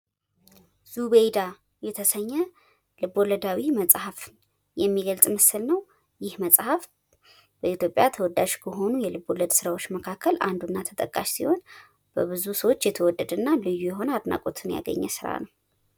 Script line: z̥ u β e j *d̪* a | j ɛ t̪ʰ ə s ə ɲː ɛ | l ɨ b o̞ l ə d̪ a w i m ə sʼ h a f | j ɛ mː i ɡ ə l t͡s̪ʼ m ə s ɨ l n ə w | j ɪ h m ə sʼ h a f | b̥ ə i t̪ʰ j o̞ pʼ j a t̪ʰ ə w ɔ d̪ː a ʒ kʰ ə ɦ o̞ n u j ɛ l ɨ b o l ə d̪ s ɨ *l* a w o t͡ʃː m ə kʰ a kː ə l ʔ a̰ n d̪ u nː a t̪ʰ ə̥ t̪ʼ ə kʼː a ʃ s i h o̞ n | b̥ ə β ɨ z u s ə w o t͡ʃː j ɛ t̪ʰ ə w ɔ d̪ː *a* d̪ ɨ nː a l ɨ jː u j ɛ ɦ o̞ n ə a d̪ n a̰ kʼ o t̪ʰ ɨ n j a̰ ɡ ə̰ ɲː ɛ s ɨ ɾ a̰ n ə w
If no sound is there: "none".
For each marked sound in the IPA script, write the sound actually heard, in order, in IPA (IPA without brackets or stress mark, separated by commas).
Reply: d̪, ɾ, ə